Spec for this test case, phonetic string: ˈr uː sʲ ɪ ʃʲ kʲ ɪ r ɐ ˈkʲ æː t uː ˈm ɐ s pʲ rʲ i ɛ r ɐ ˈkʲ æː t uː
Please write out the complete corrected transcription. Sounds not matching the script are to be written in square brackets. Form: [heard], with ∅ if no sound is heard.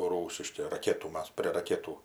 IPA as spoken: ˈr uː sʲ ɪ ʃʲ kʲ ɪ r ɐ ˈkʲ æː t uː ˈm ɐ s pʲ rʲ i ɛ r ɐ ˈkʲ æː t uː